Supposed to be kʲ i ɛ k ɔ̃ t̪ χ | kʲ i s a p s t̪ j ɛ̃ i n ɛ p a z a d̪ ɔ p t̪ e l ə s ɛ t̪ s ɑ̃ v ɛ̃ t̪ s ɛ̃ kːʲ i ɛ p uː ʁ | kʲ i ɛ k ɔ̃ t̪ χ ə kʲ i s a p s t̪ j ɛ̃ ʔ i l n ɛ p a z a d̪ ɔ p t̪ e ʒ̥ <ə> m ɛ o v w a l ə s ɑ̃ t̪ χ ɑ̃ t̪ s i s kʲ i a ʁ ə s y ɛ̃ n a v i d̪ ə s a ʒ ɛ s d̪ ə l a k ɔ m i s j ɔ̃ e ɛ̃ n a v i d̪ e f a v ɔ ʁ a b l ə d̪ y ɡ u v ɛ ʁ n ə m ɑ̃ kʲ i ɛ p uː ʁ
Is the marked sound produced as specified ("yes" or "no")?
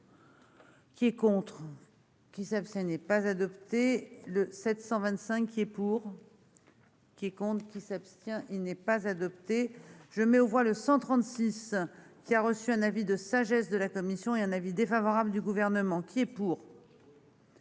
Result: yes